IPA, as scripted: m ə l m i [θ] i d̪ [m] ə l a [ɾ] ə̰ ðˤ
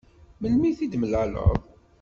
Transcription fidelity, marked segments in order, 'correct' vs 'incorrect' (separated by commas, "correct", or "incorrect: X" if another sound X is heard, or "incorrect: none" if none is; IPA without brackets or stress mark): correct, correct, incorrect: l